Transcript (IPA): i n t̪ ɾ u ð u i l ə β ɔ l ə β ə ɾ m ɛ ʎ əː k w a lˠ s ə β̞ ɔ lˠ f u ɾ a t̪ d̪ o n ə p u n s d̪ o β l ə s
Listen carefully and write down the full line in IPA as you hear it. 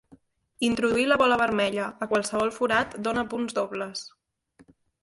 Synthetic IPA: i n t̪ ɾ u ð u i l ə β ɔ l ə β ə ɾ m ɛ ʎ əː k w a lˠ s ə β̞ ɔ lˠ f u ɾ a t̪ d̪ o n ə p u n z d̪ o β l ə s